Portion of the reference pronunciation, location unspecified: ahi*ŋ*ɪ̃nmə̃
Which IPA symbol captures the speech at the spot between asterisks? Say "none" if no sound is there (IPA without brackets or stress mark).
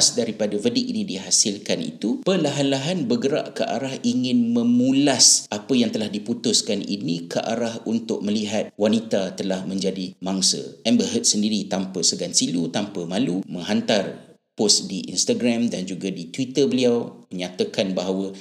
ŋ